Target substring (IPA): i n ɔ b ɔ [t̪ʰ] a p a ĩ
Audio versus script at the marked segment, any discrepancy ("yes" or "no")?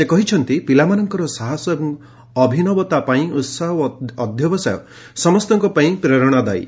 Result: yes